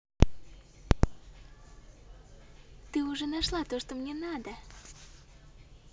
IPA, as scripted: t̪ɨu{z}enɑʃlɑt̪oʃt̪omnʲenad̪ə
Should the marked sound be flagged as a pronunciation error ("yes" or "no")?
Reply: yes